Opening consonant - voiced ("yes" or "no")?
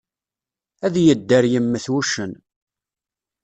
yes